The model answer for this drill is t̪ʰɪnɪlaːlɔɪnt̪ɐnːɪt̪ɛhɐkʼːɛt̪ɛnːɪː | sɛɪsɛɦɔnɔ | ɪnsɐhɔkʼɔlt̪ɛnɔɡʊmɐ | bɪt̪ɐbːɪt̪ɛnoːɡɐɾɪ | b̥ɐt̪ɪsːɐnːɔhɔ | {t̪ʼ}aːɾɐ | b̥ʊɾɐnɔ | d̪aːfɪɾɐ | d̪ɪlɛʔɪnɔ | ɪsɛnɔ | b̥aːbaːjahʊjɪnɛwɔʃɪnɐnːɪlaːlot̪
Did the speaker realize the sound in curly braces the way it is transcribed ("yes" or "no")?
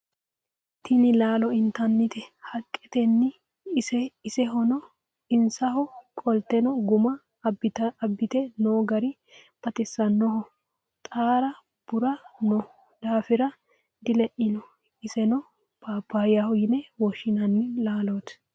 yes